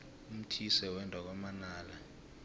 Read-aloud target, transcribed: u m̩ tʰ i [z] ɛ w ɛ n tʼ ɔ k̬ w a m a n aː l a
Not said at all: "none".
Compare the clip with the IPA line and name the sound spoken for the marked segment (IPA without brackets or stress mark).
s